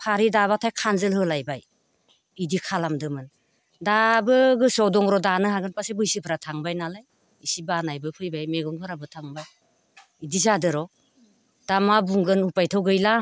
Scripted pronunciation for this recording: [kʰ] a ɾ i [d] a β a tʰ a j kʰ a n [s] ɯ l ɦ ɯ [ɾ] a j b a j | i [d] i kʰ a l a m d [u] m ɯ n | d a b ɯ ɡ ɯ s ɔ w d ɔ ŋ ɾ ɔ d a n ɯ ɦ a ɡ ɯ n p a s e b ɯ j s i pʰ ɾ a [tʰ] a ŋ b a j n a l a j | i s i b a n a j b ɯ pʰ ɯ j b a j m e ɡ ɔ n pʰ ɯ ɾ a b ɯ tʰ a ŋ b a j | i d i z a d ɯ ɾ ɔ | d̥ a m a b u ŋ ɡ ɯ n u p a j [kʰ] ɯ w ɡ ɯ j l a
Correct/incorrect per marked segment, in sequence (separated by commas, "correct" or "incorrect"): incorrect, correct, incorrect, incorrect, correct, incorrect, correct, incorrect